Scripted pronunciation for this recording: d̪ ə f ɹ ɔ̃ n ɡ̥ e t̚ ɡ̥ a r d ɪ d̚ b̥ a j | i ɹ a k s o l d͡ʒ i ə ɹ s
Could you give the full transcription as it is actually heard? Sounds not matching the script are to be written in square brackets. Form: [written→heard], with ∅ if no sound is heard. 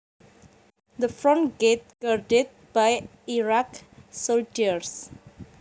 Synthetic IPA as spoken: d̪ ə f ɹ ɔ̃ n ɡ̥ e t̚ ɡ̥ a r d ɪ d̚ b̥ a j | i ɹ a k s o l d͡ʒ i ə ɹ s